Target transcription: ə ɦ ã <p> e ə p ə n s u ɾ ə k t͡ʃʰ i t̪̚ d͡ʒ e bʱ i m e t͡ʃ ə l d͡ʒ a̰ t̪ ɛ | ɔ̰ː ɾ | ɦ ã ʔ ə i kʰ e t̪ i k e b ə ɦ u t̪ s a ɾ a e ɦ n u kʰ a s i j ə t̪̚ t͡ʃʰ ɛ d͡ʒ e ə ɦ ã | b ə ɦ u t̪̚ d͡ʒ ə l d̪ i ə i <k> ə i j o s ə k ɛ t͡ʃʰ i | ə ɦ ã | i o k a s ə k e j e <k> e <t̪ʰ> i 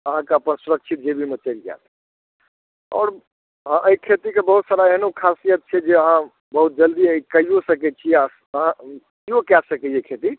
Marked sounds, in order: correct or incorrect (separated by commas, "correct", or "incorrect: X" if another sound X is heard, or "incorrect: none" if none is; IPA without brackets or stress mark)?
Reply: incorrect: k, correct, incorrect: kʰ, incorrect: t̪